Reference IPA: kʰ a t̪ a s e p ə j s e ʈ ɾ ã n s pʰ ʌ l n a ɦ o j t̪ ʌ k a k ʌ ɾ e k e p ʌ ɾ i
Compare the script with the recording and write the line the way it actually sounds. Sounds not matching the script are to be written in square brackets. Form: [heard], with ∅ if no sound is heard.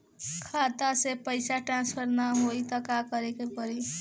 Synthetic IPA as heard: kʰ a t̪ a s e p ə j s [a] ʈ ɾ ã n s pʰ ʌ [ɾ] n a ɦ o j t̪ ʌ k a k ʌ ɾ e k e p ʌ ɾ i